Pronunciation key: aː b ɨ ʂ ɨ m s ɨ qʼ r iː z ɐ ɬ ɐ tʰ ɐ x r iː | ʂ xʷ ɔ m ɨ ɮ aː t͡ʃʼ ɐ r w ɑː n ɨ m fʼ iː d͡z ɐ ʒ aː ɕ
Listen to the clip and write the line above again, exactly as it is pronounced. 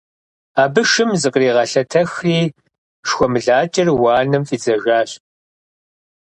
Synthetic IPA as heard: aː b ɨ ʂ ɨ m z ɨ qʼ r iː ʁ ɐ ɬ ɐ tʰ ɐ x r iː | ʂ xʷ ɔ m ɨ ɮ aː t͡ʃʼ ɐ r w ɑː n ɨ m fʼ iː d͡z ɐ ʒ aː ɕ